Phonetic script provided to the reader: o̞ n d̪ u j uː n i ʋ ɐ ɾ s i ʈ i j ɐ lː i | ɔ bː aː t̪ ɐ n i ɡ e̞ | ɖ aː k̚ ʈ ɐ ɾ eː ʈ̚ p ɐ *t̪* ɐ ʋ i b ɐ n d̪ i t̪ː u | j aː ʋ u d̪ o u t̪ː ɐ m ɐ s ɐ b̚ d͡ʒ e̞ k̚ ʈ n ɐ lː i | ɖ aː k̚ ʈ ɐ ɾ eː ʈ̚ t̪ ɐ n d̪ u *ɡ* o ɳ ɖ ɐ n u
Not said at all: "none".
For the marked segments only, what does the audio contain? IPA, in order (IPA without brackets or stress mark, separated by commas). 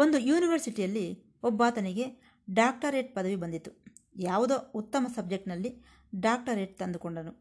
d̪, k